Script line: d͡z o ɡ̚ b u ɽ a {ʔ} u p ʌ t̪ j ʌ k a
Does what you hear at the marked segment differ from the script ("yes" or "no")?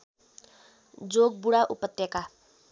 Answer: no